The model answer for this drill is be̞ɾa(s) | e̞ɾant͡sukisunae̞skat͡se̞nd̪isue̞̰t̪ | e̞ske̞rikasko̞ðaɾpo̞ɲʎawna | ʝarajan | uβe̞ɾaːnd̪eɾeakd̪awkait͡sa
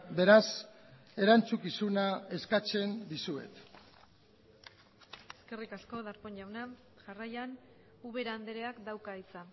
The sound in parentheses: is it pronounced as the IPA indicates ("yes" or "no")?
yes